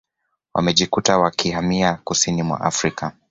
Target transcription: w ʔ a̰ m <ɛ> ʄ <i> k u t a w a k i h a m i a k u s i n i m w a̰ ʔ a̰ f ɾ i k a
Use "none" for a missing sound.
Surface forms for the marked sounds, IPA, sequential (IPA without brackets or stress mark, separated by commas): ɛ, i